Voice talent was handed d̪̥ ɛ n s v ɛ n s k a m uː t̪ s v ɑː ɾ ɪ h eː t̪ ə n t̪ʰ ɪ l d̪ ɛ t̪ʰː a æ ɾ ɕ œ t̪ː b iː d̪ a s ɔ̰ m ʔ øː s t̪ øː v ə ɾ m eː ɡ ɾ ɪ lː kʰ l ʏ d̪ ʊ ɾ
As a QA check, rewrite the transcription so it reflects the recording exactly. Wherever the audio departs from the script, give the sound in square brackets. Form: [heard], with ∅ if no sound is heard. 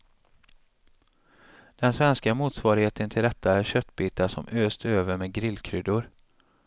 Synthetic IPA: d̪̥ ɛ n s v ɛ n s k a m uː t̪ s v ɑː ɾ ɪ h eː t̪ ə n t̪ʰ ɪ l d̪ ɛ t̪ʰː a æ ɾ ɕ œ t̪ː b iː [t̪] a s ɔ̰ m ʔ øː s t̪ øː v ə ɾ m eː ɡ ɾ ɪ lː kʰ [ɾ] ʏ d̪ ʊ ɾ